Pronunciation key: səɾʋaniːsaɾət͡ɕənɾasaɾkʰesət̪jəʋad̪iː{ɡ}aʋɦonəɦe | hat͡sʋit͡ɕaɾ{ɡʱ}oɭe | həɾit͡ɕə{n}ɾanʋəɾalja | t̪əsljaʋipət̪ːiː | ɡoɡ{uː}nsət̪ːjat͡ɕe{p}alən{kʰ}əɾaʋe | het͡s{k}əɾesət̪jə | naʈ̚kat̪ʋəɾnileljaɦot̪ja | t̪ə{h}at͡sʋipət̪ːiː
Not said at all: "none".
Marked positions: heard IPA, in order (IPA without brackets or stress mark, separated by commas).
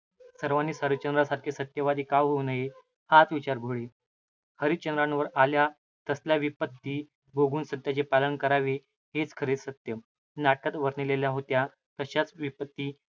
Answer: k, ɡʱ, n, uː, p, k, kʰ, ɕ